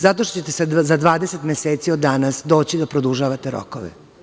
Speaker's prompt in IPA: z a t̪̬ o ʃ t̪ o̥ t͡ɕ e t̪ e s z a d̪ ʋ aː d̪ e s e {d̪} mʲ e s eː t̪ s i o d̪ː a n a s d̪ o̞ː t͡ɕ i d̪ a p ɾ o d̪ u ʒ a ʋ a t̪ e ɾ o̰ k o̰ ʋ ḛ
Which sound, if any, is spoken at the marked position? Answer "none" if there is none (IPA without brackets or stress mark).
t̪